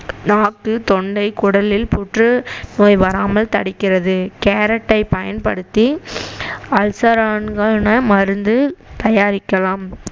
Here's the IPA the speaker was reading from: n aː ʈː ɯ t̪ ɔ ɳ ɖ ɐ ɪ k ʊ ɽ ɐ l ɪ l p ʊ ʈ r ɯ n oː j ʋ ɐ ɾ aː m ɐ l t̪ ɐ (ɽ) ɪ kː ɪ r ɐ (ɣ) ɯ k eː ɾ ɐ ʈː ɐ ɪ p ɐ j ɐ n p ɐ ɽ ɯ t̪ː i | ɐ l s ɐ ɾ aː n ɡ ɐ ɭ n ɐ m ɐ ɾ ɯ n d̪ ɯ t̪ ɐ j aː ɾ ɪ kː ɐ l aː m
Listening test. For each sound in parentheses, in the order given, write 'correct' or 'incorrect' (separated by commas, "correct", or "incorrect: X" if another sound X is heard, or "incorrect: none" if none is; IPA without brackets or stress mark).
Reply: correct, incorrect: ð